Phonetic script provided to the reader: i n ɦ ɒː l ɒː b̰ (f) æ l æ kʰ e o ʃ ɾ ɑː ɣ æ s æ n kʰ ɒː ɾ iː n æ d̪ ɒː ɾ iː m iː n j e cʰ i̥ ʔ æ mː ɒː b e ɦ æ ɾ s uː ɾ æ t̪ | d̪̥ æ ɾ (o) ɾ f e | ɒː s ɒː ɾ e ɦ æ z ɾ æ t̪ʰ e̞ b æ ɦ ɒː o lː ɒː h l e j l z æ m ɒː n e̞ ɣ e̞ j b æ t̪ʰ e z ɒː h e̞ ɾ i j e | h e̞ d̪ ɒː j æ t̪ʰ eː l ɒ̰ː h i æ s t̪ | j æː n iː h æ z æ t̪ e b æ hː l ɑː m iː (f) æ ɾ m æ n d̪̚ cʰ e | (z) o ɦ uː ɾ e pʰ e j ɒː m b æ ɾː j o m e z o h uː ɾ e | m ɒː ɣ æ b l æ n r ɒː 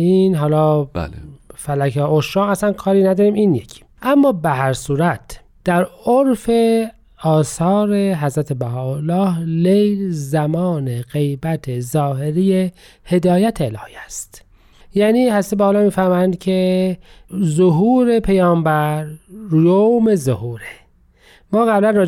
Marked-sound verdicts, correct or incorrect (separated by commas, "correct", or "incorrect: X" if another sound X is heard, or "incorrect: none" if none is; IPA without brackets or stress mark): correct, correct, correct, correct